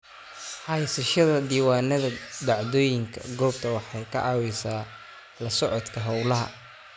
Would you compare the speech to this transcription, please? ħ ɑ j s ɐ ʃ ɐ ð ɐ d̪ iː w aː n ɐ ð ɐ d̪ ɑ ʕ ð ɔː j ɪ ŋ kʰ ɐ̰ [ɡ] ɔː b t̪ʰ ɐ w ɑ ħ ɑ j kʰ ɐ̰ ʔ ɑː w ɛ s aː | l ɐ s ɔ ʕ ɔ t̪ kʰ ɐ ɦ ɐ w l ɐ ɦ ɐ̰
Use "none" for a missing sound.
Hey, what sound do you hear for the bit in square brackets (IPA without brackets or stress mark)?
ɡ